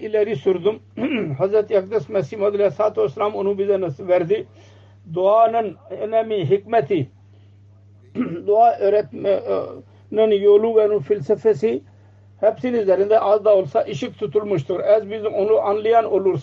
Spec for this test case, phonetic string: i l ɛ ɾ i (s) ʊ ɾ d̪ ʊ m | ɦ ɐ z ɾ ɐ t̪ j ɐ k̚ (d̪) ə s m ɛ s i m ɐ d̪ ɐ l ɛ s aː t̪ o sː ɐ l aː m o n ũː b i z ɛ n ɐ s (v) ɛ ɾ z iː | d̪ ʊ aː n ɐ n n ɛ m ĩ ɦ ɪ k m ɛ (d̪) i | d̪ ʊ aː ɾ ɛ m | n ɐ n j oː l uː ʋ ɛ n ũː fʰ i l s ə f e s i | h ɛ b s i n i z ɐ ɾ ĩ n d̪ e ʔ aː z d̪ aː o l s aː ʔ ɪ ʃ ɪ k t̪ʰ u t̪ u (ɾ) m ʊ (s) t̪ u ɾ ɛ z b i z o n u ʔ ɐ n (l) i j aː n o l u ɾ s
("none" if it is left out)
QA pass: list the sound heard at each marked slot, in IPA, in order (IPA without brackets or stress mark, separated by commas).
s, d̪, ʋ, t̪, l, ʃ, l